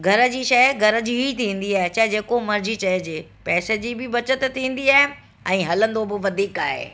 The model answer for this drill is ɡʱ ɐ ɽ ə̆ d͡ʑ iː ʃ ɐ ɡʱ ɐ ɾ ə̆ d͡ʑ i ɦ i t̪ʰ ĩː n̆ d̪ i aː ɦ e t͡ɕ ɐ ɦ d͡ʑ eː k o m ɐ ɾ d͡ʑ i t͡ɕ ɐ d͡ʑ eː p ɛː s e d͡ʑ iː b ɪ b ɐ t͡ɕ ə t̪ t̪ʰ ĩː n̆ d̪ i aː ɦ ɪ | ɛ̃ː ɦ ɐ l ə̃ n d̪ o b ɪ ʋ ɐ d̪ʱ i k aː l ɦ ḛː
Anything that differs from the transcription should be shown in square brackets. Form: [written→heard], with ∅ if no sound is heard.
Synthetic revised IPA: ɡʱ ɐ [ɽ→ɾ] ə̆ d͡ʑ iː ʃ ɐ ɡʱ ɐ ɾ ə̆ d͡ʑ i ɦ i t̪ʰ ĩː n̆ d̪ i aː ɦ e t͡ɕ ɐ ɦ d͡ʑ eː k o m ɐ ɾ d͡ʑ i t͡ɕ ɐ d͡ʑ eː p ɛː s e d͡ʑ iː b ɪ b ɐ t͡ɕ ə t̪ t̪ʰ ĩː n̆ d̪ i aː ɦ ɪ | ɛ̃ː ɦ ɐ l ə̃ n d̪ o b ɪ ʋ ɐ d̪ʱ [i→iː] k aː [l→∅] ɦ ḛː